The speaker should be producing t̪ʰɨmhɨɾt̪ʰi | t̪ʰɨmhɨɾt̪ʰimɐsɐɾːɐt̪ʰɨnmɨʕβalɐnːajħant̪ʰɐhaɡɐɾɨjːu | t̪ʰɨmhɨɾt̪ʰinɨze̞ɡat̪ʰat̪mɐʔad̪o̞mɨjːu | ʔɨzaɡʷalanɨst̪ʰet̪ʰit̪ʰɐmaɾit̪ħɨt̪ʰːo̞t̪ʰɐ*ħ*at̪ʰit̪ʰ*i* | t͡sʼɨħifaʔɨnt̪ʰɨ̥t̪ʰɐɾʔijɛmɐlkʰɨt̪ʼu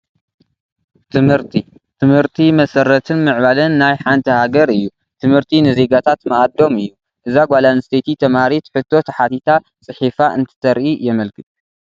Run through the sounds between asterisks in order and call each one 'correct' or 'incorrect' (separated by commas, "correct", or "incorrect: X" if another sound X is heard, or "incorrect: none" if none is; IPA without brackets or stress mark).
correct, incorrect: a